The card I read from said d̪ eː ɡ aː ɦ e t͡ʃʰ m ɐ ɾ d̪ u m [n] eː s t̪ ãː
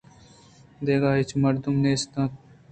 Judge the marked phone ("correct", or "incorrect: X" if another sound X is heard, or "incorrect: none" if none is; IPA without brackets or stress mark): correct